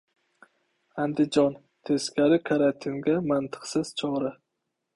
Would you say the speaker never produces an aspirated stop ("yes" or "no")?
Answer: no